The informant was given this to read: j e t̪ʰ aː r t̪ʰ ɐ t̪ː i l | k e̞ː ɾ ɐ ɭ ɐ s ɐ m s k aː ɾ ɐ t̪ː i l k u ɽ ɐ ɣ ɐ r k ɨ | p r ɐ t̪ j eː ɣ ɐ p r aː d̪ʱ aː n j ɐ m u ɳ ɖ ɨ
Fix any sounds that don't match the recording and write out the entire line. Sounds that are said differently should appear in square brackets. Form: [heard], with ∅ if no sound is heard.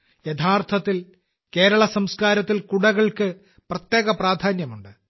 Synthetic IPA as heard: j e t̪ʰ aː r t̪ʰ ɐ t̪ː i l | k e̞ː ɾ ɐ ɭ ɐ s ɐ m s k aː ɾ ɐ t̪ː i l k u ɽ ɐ ɣ ɐ [ɭ] k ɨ | p r ɐ t̪ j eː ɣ ɐ p r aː d̪ʱ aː n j ɐ m u ɳ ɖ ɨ